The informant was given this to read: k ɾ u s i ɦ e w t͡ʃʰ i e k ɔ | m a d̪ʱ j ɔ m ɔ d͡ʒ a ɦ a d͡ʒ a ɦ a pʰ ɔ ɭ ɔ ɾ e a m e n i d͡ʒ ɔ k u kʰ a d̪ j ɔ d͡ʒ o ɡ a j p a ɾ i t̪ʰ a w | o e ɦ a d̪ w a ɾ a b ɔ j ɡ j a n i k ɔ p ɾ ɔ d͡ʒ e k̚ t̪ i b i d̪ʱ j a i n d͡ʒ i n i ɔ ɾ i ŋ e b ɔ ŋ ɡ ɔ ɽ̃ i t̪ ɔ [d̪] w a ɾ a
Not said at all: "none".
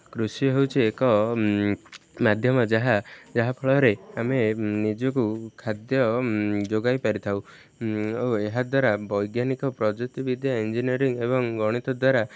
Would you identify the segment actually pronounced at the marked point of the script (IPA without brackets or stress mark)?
d̪